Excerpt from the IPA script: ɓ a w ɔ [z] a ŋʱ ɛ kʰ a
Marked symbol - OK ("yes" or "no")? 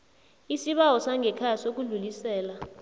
no